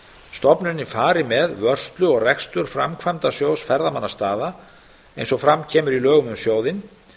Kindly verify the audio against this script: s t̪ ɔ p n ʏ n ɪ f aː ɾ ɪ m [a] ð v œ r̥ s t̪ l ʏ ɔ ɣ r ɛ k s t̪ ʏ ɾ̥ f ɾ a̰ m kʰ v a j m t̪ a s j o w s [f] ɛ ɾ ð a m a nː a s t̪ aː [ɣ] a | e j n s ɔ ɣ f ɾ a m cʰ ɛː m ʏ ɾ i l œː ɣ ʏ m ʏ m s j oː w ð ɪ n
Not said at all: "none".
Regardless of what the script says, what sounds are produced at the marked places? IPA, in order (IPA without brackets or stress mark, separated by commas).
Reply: ɛ, f, ð